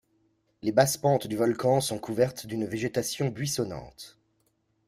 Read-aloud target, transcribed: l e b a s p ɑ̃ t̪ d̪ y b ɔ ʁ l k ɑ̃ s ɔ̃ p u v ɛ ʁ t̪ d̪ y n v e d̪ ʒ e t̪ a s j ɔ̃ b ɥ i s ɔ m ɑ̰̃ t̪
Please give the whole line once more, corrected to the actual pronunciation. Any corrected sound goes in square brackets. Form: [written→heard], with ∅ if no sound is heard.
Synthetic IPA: l e b a s p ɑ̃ t̪ d̪ y [b→v] ɔ [ʁ→∅] l k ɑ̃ s ɔ̃ [p→k] u v ɛ ʁ t̪ d̪ y n v e [d̪→∅] ʒ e t̪ a s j ɔ̃ b ɥ i s ɔ [m→n] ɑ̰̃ t̪